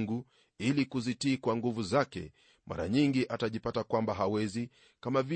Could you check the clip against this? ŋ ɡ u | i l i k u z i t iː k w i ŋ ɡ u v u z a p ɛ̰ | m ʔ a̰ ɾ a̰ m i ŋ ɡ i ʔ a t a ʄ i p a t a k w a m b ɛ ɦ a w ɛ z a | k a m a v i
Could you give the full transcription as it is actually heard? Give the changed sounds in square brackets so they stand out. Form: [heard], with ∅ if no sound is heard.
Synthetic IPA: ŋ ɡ u | i l i k u z i t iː k w [a] ŋ ɡ u v u z a [k] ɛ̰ | m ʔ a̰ ɾ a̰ [ɲ] i ŋ ɡ i ʔ a t a ʄ i p a t a k w a m b [a] ɦ a w ɛ z [i] | k a m a v i